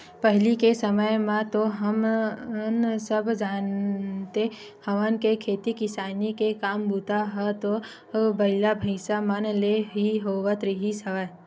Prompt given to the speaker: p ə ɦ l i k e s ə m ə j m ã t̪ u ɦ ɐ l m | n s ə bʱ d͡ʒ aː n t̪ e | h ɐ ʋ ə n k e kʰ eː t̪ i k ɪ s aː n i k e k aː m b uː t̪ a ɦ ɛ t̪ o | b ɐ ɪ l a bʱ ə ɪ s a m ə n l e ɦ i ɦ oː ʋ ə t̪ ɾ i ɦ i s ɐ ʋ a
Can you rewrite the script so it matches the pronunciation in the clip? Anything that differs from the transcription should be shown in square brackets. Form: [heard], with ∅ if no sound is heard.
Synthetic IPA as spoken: p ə ɦ l i k e s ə m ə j m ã t̪ [o] ɦ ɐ [∅] m | n s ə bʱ d͡ʒ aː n t̪ e | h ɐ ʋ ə n k e kʰ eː t̪ i k ɪ s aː n i k e k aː m b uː t̪ a ɦ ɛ t̪ o | b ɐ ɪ l a bʱ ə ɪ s a m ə n l e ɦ i ɦ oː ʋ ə t̪ ɾ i ɦ i s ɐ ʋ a